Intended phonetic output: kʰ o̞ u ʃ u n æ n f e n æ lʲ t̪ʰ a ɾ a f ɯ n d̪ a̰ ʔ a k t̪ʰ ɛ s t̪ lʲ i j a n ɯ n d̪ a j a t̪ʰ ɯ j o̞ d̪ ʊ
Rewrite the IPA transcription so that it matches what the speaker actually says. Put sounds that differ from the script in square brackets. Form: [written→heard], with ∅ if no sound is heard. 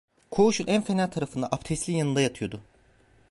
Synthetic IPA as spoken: kʰ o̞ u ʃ u n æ n f e n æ lʲ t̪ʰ a ɾ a f ɯ n d̪ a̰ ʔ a [k→p] t̪ʰ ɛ s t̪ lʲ i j a n ɯ n d̪ a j a t̪ʰ ɯ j o̞ d̪ ʊ